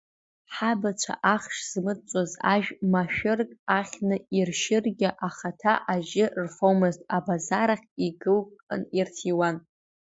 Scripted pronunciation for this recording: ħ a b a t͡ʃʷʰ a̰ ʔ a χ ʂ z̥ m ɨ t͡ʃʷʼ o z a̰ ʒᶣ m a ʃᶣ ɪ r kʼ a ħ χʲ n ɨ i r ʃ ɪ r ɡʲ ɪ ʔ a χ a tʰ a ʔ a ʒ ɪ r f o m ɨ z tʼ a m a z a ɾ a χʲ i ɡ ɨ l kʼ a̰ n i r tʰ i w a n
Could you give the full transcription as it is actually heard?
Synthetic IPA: ħ a b a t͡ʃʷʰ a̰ ʔ a χ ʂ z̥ m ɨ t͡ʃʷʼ o z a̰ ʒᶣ m a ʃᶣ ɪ r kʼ a χʲ n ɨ i r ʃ ɪ r ɡʲ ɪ ʔ a χ a tʰ a ʔ a ʒ ɪ r f o m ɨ z tʼ a b a z a ɾ a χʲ i ɡ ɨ l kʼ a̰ n i r tʰ i w a n

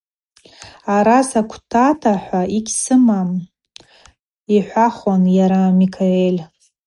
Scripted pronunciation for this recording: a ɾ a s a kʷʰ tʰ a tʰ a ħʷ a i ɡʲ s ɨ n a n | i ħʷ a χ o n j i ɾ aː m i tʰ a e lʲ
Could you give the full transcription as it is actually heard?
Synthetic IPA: a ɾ a s a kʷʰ tʰ a tʰ a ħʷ a i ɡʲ s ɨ m a m | i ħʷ a χ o n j a ɾ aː m i kʰ a e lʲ

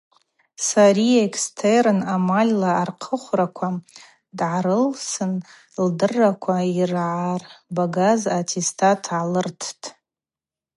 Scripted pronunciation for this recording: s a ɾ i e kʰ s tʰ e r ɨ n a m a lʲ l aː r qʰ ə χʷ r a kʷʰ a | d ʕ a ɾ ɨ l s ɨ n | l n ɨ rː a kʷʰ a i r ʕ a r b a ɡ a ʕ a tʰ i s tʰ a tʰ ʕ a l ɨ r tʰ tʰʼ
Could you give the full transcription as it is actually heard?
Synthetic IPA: s a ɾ i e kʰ s tʰ e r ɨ n a m a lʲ l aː r qʰ ə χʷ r a kʷʰ a | d ʕ a ɾ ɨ l s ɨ n | l d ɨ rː a kʷʰ a i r ʕ a r b a ɡ a z a tʰ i s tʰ a tʰ ʕ a l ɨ r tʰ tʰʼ

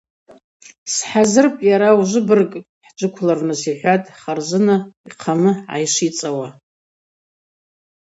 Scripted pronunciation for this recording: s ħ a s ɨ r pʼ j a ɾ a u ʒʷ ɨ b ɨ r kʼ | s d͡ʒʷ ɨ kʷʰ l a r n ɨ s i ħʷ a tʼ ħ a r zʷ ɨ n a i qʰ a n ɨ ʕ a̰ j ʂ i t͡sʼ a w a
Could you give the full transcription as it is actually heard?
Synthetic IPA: s ħ a z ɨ r pʼ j a ɾ a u ʒʷ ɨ b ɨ r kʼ | ħ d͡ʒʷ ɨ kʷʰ l a r n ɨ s i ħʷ a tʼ χ a r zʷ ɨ n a i qʰ a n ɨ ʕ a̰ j ʂ i t͡sʼ a w a

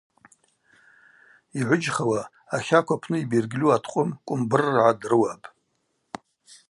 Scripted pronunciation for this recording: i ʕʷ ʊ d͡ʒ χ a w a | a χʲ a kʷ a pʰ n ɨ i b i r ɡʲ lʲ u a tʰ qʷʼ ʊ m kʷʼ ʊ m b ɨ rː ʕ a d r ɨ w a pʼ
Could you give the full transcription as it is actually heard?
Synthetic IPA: i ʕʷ ʊ d͡ʒ χ a w a | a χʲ a kʷ a pʰ n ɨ i b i r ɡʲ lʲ u a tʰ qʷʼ ʊ m kʷʼ ʊ m b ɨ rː ʕ a d r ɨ w a pʼ

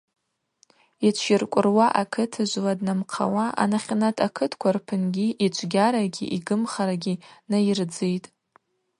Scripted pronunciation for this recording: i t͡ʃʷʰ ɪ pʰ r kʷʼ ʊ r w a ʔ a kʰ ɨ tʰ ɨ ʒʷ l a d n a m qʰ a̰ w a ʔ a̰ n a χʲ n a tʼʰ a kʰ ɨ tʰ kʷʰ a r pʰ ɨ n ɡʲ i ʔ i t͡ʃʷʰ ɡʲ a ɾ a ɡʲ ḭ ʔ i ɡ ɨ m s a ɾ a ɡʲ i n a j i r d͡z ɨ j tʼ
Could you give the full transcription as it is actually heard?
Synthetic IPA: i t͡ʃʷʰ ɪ r kʷʼ ʊ r w a ʔ a kʰ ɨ tʰ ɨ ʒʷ l a d n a m qʰ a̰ w a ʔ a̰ n a χʲ n a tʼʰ a kʰ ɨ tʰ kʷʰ a r pʰ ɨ n ɡʲ i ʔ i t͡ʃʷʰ ɡʲ a ɾ a ɡʲ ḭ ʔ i ɡ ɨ m χ a ɾ a ɡʲ i n a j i r d͡z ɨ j tʼ

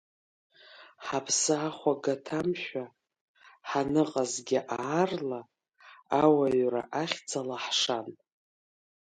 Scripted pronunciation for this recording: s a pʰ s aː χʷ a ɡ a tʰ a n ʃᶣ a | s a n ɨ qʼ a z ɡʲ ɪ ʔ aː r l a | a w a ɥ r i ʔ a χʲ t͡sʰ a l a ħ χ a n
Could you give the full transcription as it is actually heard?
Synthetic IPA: ħ a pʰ s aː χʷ a ɡ a tʰ a m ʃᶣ a | ħ a n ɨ qʼ a z ɡʲ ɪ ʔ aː r l a | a w a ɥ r a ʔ a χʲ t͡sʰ a l a ħ ʂ a n

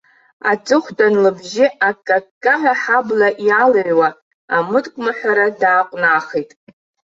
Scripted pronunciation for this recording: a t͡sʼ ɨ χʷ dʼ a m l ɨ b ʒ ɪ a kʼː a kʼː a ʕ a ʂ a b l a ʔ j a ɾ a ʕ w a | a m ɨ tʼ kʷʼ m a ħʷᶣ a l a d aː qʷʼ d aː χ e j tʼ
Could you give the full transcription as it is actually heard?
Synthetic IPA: a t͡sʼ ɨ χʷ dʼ a n l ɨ b ʒ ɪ a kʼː a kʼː a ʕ a ħ a b l a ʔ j a l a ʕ w a | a m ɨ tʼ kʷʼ m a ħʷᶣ a ɾ a d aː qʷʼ n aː χ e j tʼ

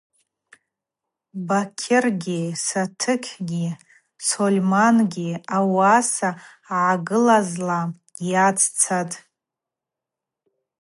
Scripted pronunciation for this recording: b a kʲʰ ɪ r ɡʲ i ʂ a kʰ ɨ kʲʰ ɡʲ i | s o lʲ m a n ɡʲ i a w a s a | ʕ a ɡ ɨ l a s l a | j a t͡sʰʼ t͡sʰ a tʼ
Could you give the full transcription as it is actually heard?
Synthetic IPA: b a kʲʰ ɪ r ɡʲ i s a tʰ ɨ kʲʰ ɡʲ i | s o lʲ m a n ɡʲ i a w a s a | ʕ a ɡ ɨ l a z l a | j a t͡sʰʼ t͡sʰ a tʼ

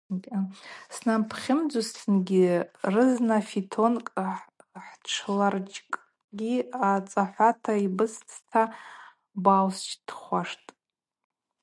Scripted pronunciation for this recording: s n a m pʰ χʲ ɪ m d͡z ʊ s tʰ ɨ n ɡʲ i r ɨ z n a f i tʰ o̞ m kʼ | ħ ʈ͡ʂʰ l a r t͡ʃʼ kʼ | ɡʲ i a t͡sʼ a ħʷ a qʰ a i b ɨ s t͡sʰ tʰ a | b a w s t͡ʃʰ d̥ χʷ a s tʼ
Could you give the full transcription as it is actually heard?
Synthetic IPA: s n a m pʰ χʲ ɪ m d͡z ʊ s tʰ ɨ n ɡʲ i r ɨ z n a f i tʰ o̞ n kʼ | ħ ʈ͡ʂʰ l a r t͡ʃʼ kʼ | ɡʲ i a t͡sʼ a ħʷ a tʰ a i b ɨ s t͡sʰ tʰ a | b a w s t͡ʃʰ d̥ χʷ a ʂ tʼ

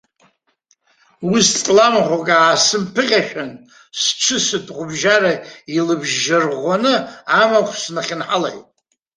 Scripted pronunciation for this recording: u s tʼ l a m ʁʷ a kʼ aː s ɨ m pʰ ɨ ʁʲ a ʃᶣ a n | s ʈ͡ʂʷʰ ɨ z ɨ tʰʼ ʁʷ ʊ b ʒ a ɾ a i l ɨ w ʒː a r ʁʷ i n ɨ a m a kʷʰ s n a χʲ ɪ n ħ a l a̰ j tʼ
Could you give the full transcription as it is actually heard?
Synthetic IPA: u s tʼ l a m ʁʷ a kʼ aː s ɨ m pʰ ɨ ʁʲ a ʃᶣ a n | s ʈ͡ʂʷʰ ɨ s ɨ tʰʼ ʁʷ ʊ b ʒ a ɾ a i l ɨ b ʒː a r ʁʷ a n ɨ a m a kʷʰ s n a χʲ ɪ n ħ a l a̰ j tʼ

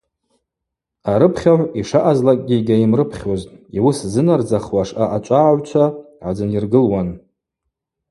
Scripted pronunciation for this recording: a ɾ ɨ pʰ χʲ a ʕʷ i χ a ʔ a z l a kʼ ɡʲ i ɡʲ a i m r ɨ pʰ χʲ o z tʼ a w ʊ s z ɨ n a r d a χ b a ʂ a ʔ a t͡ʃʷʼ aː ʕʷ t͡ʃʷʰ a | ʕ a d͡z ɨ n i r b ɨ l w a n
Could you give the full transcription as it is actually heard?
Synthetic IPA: a ɾ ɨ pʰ χʲ a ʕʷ i ʂ a ʔ a z l a kʼ ɡʲ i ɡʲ a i m r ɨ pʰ χʲ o z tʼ i w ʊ s z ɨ n a r d͡z a χ w a ʂ a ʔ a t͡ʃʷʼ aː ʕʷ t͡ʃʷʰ a | ʕ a d͡z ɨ n i r ɡ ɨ l w a n

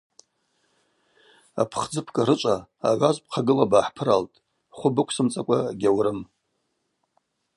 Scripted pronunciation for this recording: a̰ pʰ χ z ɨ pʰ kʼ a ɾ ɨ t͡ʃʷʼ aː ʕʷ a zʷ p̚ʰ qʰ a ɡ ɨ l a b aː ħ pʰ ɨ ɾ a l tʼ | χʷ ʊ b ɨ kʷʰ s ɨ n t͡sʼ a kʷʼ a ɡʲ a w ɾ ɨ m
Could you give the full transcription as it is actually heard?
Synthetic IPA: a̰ pʰ χ d͡z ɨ pʰ kʼ a ɾ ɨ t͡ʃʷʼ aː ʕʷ a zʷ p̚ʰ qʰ a ɡ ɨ l a b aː ħ pʰ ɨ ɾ a l tʼ | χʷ ʊ b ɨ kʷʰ s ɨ m t͡sʼ a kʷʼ a ɡʲ a w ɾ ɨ m

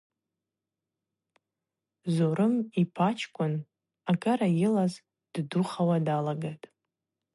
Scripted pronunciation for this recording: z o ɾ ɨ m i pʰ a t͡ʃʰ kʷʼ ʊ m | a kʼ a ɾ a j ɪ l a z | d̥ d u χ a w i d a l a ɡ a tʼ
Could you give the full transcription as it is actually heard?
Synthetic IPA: z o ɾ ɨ m i pʰ a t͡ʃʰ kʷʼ ʊ n | a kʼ a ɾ a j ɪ l a z | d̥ d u χ a w a d a l a ɡ a tʼ

